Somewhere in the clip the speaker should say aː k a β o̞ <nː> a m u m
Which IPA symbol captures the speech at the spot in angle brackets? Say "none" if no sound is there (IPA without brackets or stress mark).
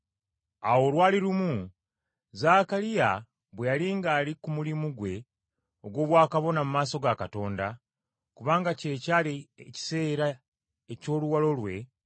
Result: n